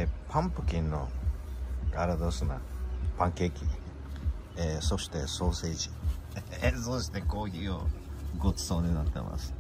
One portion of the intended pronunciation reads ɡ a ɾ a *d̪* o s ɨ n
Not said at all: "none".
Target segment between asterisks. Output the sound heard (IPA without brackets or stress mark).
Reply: d̪